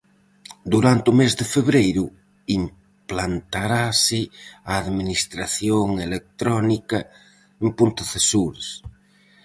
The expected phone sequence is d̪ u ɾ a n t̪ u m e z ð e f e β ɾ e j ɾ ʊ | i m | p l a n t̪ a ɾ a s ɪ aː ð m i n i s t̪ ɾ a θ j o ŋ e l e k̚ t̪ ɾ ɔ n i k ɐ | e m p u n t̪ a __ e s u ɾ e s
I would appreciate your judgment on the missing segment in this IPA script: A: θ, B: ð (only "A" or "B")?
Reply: A